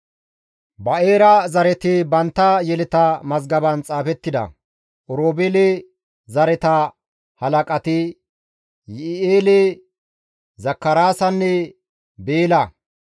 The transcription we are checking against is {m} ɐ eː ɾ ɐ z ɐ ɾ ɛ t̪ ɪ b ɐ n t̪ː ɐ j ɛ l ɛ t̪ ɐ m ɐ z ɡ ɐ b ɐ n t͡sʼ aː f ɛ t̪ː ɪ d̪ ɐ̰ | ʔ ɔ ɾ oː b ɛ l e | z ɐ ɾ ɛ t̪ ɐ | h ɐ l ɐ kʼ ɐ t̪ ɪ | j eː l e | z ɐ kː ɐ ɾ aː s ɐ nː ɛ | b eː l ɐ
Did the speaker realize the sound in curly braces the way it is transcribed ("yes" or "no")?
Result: no